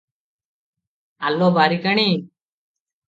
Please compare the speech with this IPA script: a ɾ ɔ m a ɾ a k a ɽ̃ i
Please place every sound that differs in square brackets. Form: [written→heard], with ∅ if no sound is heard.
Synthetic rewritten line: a [ɾ→l] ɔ [m→b] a ɾ [a→i] k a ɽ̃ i